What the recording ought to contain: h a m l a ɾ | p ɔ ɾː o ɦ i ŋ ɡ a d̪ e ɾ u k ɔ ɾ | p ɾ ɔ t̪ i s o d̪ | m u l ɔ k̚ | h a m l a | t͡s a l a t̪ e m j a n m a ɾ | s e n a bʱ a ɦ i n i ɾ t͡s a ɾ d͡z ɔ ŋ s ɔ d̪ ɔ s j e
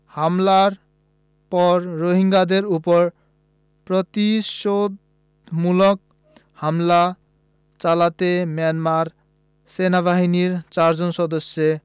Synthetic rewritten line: h a m l a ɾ | p ɔ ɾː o ɦ i ŋ ɡ a d̪ e ɾ u p ɔ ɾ | p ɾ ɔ t̪ i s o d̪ | m u l ɔ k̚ | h a m l a | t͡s a l a t̪ e m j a n m a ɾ | s e n a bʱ a ɦ i n i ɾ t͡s a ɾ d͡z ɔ n s ɔ d̪ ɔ s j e

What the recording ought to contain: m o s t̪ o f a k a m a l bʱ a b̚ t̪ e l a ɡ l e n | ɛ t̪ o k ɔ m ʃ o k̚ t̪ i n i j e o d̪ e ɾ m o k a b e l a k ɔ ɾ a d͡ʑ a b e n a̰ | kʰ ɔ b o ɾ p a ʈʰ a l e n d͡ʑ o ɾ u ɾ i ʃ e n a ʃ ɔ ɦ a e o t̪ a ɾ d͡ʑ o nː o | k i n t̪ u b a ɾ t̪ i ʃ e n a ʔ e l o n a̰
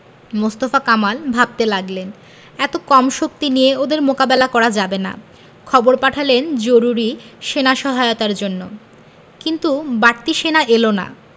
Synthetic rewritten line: m o s t̪ o f a k a m a l bʱ a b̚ t̪ e l a ɡ l e n | ɛ t̪ o k ɔ m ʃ o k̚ t̪ i n i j e o d̪ e ɾ m o k a b e l a k ɔ ɾ a d͡ʑ a b e n a̰ | kʰ ɔ b o ɾ p a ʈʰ a l e n d͡ʑ o ɾ u ɾ i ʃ e n a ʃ ɔ ɦ a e o t̪ a ɾ d͡ʑ o nː o | k i n t̪ u b a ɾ t̪ i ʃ e n a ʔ e l o n a̰

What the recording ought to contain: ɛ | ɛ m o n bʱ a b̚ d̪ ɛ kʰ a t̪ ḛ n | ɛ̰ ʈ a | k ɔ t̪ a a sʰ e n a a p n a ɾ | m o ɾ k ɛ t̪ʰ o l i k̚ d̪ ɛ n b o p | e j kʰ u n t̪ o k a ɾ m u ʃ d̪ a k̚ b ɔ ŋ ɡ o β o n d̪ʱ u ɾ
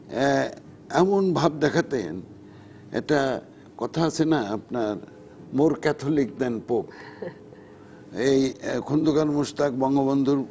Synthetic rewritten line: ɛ | ɛ m o n bʱ a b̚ d̪ ɛ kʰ a t̪ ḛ n | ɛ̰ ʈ a | k ɔ t̪ʰ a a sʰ e n a a p n a ɾ | m o ɾ k ɛ t̪ʰ o l i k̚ d̪ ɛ n p o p | e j kʰ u n d̪ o k a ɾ m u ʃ t̪ a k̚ b ɔ ŋ ɡ o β o n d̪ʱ u ɾ

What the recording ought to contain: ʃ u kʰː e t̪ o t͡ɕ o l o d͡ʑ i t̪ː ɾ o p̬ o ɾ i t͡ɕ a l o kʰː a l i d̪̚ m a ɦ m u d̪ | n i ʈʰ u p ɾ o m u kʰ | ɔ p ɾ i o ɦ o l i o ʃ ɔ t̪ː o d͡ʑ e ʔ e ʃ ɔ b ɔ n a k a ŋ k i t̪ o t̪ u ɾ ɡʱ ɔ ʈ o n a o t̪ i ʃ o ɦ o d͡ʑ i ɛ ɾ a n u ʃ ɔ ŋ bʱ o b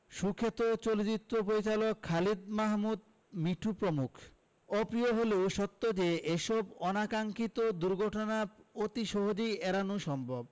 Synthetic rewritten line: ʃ u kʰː e t̪ o t͡ɕ o l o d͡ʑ i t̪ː ɾ o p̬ o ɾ i t͡ɕ a l o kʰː a l i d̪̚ m a ɦ m u d̪ | m i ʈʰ u p ɾ o m u kʰ | ɔ p ɾ i o ɦ o l e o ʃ ɔ t̪ː o d͡ʑ e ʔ e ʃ ɔ b ɔ n a k a ŋ k i t̪ o d̪ u ɾ ɡʱ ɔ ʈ o n a o t̪ i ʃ o ɦ o d͡ʑ i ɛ ɾ a n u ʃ ɔ m bʱ o b

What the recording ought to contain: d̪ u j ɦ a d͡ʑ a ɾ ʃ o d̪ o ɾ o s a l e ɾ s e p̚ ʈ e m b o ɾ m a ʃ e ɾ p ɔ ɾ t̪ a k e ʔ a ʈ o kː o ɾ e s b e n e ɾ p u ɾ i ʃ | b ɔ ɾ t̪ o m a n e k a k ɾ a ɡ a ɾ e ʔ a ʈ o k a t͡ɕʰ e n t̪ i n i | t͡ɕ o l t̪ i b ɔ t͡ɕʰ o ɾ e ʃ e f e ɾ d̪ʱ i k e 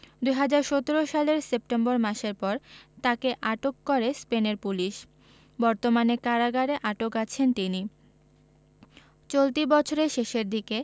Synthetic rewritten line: d̪ u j ɦ a d͡ʑ a ɾ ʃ o t̪ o ɾ o ʃ a l e ɾ s e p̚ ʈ e m b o ɾ m a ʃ e ɾ p ɔ ɾ t̪ a k e ʔ a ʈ o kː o ɾ e s p e n e ɾ p u l i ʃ | b ɔ ɾ t̪ o m a n e k a ɾ a ɡ a ɾ e ʔ a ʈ o k a t͡ɕʰ e n t̪ i n i | t͡ɕ o l t̪ i b ɔ t͡ɕʰ o ɾ e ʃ e ʃ e ɾ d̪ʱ i k e

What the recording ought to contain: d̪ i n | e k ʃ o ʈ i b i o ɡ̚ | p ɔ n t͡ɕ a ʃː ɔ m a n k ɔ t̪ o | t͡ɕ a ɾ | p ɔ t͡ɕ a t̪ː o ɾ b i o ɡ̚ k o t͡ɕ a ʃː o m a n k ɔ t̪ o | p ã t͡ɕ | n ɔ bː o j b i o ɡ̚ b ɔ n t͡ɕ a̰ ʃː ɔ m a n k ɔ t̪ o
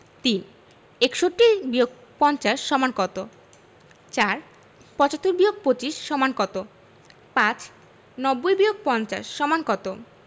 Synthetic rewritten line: t̪ i n | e k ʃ o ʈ i b i o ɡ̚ | p ɔ n t͡ɕ a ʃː ɔ m a n k ɔ t̪ o | t͡ɕ a ɾ | p ɔ t͡ɕ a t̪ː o ɾ b i o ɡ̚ p o t͡ɕ i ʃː ɔ m a n k ɔ t̪ o | p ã t͡ɕ | n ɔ bː o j b i o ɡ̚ p ɔ n t͡ɕ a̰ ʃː ɔ m a n k ɔ t̪ o

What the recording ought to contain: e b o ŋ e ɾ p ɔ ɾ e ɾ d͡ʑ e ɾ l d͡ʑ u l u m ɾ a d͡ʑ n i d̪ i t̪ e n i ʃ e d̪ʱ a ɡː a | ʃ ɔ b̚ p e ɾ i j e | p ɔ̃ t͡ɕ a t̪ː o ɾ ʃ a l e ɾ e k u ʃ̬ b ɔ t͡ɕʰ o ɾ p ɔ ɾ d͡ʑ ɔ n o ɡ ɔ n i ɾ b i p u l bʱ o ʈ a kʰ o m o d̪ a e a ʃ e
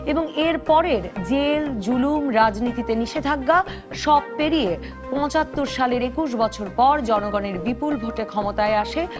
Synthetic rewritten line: e b o ŋ e ɾ p ɔ ɾ e ɾ d͡ʑ e l d͡ʑ u l u m ɾ a d͡ʑ n i t̪ i t̪ e n i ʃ e d̪ʱ a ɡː a | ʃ ɔ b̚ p e ɾ i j e | p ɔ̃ t͡ɕ a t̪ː o ɾ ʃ a l e ɾ e k u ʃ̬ b ɔ t͡ɕʰ o ɾ p ɔ ɾ d͡ʑ ɔ n o ɡ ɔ n e ɾ b i p u l bʱ o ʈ e kʰ ɔ m o t̪ a e a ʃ e

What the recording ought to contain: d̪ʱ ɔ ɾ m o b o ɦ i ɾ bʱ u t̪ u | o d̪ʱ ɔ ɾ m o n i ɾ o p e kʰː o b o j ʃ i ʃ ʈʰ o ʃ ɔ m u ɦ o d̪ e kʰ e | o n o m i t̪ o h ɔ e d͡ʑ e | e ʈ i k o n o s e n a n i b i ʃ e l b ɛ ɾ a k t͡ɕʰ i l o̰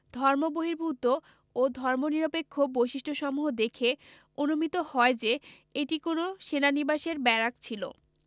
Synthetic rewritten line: d̪ʱ ɔ ɾ m o b o ɦ i ɾ bʱ u t̪ o | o d̪ʱ ɔ ɾ m o n i ɾ o p e kʰː o b o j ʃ i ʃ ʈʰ o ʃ ɔ m u ɦ o d̪ e kʰ e | o n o m i t̪ o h ɔ e d͡ʑ e | e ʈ i k o n o ʃ e n a n i b a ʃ e ɾ b ɛ ɾ a k t͡ɕʰ i l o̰

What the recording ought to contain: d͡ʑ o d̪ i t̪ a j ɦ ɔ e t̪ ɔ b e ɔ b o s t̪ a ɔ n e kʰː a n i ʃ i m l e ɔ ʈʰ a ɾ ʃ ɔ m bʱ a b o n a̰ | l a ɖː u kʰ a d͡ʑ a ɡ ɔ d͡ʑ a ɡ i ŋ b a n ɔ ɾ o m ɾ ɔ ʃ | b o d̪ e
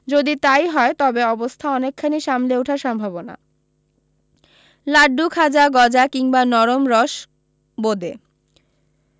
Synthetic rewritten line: d͡ʑ o d̪ i t̪ a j ɦ ɔ e t̪ ɔ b e ɔ b o s t̪ʰ a ɔ n e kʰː a n i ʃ a m l e u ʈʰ a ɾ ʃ ɔ m bʱ a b o n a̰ | l a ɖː u kʰ a d͡ʑ a ɡ ɔ d͡ʑ a k i ŋ b a n ɔ ɾ o m ɾ ɔ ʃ | b o d̪ e

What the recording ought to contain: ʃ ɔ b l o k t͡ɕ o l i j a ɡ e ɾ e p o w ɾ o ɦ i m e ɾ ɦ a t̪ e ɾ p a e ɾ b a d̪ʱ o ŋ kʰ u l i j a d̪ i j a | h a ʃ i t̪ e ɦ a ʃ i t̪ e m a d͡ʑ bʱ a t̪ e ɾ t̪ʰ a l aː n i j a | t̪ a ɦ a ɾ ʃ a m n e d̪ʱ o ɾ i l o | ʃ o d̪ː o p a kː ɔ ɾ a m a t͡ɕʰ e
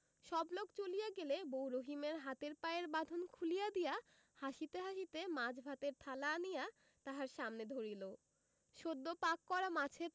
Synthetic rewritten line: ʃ ɔ b l o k t͡ɕ o l i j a ɡ e l e b o w ɾ o ɦ i m e ɾ ɦ a t̪ e ɾ p a e ɾ b a d̪ʱ o n kʰ u l i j a d̪ i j a | h a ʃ i t̪ e ɦ a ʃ i t̪ e m a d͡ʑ bʱ a t̪ e ɾ t̪ʰ a l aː n i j a | t̪ a ɦ a ɾ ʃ a m n e d̪ʱ o ɾ i l o | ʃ o d̪ː o p a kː ɔ ɾ a m a t͡ɕʰ e

